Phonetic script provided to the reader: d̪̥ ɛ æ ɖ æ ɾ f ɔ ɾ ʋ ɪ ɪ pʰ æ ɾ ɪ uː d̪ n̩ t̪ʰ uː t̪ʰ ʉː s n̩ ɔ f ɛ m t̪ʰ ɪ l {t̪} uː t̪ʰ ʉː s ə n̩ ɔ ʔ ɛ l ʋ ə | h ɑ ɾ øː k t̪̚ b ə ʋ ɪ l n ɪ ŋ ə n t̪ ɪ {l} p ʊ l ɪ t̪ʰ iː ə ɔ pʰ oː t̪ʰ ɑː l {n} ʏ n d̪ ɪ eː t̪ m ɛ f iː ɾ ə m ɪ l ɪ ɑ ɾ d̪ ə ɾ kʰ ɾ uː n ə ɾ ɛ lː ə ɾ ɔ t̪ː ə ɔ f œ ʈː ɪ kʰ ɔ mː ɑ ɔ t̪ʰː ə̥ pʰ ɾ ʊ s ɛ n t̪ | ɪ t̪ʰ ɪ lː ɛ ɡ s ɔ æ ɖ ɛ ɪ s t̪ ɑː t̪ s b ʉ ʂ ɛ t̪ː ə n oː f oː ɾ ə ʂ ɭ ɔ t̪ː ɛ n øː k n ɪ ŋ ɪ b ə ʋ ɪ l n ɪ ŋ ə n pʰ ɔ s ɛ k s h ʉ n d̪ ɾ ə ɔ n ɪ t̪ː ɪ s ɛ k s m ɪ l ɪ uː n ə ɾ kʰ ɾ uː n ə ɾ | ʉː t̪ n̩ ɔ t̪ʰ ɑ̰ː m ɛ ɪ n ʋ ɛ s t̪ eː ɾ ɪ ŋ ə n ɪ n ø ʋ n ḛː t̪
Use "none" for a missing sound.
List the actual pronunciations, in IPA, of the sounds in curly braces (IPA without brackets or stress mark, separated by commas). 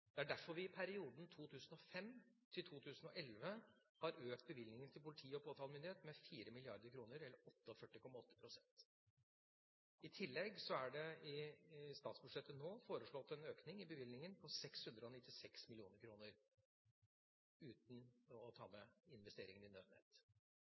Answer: t̪ʰ, l, m